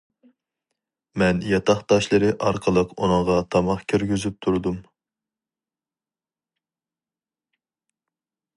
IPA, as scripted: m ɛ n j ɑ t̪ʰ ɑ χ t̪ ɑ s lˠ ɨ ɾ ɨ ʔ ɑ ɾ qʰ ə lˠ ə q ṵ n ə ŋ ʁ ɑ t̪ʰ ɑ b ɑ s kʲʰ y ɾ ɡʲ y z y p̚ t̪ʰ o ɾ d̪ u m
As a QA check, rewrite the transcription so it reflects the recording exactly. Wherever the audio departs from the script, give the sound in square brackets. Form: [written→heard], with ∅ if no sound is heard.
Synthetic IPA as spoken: m ɛ n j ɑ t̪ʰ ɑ χ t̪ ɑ [s→ʃ] lˠ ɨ ɾ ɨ ʔ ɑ ɾ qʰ ə lˠ ə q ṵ n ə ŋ ʁ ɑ t̪ʰ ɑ [b→m] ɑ [s→χ] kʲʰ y ɾ ɡʲ y z y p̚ t̪ʰ [o→u] ɾ d̪ u m